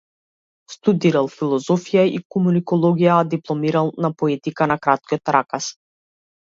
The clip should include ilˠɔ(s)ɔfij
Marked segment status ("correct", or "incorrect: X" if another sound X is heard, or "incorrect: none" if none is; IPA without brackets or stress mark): incorrect: z